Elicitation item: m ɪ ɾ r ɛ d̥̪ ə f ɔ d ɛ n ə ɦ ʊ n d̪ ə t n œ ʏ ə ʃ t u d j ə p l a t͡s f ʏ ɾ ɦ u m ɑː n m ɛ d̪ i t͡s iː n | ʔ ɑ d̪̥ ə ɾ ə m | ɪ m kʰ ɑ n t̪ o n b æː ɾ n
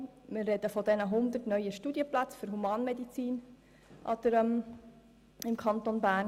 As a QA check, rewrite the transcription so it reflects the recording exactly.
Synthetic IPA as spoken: m ɪ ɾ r ɛ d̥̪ ə f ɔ d ɛ n ə ɦ ʊ n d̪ ə t n œ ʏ ə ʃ t u d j ə p l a t͡s f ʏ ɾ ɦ u m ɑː n m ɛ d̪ i t͡s iː n | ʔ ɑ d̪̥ ə ɾ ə m | ɪ m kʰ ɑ n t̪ o n b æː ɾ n